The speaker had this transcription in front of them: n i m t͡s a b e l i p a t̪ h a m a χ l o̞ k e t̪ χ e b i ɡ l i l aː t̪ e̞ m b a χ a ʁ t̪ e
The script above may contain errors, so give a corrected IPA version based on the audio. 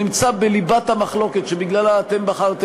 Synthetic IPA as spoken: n i m t͡s a b e l i b a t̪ h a m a χ l o̞ k e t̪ ʃ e b i ɡ l a l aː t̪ e̞ m b a χ a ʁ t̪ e